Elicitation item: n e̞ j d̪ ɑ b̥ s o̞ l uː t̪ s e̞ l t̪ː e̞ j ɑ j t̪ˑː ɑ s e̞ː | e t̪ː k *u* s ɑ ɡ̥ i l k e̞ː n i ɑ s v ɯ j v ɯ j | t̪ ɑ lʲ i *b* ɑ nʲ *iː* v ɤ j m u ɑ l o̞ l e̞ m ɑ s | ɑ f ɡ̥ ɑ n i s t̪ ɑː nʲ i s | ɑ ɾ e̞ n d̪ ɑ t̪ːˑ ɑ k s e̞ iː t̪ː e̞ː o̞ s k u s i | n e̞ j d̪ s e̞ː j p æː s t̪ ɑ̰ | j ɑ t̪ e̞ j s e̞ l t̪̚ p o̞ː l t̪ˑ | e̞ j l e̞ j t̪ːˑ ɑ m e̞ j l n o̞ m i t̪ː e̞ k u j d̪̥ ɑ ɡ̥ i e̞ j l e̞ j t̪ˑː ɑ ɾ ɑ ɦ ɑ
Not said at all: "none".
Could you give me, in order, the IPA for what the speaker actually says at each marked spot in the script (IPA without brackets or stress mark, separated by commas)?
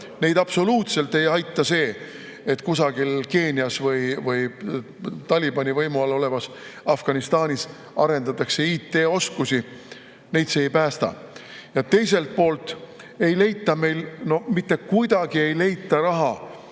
u, b, i